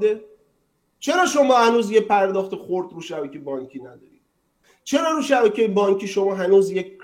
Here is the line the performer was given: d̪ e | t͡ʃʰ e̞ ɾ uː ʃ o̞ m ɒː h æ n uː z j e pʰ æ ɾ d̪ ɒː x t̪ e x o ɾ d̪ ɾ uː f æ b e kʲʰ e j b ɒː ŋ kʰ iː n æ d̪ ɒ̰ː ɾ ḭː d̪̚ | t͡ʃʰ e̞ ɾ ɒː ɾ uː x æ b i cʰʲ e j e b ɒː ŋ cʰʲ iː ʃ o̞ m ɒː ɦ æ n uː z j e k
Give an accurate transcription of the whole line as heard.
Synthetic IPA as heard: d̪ e | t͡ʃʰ e̞ ɾ ɒː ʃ o̞ m ɒː h æ n uː z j e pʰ æ ɾ d̪ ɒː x t̪ e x o ɾ d̪ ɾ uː ʃ æ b æ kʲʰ e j b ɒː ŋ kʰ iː n æ d̪ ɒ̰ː ɾ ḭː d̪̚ | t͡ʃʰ e̞ ɾ ɒː ɾ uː ʃ æ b æ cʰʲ e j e b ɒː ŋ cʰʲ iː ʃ o̞ m ɒː ɦ æ n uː z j e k